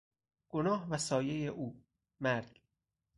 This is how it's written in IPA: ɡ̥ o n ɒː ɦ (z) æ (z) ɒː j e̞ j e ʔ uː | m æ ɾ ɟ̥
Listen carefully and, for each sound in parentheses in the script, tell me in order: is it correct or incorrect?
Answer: incorrect, incorrect

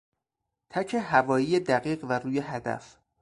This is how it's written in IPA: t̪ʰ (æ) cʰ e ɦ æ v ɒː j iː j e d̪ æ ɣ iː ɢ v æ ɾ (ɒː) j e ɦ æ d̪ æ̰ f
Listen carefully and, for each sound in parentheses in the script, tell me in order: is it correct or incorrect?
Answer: correct, incorrect

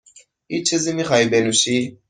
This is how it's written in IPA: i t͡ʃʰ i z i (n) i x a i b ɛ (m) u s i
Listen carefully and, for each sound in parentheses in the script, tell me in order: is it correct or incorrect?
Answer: incorrect, incorrect

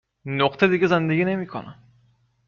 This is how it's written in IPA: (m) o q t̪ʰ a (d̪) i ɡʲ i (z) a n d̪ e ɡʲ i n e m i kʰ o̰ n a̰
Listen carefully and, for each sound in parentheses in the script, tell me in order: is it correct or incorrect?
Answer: incorrect, correct, correct

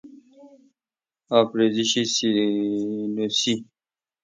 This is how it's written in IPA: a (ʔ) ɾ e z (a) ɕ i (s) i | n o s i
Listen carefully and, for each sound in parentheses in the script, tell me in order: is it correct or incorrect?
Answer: incorrect, incorrect, correct

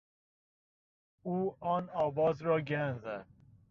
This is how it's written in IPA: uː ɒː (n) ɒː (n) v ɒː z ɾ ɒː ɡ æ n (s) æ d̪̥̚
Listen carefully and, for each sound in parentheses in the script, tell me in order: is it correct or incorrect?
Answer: correct, incorrect, incorrect

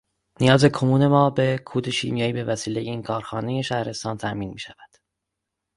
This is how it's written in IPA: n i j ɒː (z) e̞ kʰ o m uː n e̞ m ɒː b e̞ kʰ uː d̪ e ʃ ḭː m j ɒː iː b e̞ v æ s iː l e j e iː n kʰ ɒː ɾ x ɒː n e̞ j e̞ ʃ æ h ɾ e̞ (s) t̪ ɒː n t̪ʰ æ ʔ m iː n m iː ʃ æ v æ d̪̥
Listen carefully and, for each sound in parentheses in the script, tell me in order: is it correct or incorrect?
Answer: correct, correct

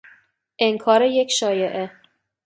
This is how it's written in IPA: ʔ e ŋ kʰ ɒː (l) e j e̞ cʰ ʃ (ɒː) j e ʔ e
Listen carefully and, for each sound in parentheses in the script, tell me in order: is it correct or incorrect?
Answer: incorrect, correct

